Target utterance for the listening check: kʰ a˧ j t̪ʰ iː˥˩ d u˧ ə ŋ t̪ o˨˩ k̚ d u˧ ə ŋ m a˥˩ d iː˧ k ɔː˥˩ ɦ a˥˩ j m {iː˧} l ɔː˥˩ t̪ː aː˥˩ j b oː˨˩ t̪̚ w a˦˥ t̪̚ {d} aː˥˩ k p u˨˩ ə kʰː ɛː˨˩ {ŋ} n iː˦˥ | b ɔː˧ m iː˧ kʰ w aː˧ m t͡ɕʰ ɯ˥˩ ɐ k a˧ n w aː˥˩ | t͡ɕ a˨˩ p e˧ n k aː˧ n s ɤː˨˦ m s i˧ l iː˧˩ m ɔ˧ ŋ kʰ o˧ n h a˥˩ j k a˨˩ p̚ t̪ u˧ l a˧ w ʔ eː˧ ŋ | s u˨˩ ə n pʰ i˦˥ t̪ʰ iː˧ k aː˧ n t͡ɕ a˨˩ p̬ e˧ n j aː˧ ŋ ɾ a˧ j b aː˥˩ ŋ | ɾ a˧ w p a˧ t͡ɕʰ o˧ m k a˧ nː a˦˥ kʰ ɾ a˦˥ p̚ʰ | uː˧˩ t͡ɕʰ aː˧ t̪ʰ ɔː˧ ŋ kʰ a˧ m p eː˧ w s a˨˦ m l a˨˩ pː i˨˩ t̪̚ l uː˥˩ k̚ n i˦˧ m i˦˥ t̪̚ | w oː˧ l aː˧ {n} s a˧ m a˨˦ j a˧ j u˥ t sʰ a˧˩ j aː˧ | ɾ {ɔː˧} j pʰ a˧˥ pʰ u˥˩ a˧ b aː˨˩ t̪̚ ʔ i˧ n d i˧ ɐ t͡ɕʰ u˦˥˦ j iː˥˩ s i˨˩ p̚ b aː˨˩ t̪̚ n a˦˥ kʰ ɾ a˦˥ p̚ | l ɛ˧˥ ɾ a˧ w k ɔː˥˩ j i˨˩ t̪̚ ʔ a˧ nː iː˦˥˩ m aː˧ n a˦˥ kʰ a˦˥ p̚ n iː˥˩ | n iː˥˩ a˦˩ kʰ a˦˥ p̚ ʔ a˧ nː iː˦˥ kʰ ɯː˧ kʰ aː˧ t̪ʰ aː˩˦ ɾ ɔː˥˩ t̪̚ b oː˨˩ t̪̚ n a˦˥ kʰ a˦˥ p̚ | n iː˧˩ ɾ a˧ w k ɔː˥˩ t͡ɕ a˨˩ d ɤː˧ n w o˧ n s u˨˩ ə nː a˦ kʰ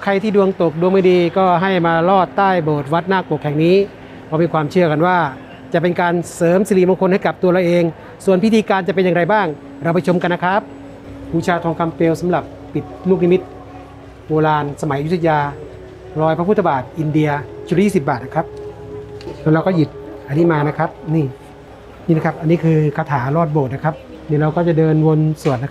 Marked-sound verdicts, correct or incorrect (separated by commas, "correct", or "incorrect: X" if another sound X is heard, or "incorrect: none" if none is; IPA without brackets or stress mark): incorrect: aː˧, incorrect: n, correct, correct, correct